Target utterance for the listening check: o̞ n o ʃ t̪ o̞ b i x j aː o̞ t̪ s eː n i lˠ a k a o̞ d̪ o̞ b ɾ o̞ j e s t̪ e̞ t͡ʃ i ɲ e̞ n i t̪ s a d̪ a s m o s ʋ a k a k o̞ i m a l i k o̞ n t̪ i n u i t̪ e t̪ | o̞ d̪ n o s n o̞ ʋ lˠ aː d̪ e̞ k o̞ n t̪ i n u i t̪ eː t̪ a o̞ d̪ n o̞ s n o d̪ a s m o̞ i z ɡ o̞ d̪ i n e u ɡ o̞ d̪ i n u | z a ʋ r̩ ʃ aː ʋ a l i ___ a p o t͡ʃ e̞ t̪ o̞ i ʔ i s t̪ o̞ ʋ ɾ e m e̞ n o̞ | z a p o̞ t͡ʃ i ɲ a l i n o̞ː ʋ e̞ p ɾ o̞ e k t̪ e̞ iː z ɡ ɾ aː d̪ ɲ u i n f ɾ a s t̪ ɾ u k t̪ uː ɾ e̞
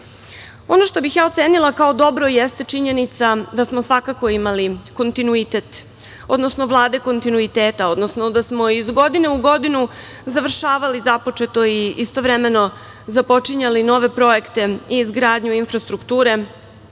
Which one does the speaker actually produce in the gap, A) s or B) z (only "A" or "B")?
B